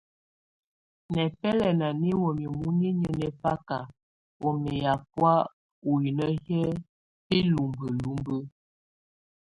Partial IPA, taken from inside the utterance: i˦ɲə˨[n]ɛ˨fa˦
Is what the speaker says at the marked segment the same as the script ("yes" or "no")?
yes